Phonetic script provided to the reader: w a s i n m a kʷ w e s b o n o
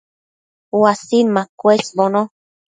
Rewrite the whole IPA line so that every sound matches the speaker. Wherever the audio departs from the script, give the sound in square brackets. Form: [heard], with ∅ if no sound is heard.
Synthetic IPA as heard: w a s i n m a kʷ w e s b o n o